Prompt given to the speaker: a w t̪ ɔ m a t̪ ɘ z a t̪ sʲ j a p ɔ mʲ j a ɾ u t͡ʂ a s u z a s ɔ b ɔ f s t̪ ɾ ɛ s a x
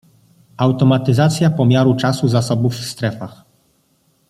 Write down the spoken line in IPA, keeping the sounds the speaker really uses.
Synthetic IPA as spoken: a w t̪ ɔ m a t̪ ɘ z a t̪ sʲ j a p ɔ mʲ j a ɾ u t͡ʂ a s u z a s ɔ b u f s t̪ ɾ ɛ f a x